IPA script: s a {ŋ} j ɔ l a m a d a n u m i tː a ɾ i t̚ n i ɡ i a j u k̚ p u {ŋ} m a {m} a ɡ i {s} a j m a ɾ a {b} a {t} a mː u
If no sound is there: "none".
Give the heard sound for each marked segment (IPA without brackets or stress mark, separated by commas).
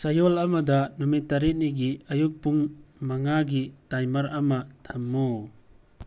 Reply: none, ŋ, ŋ, t, m, tʰ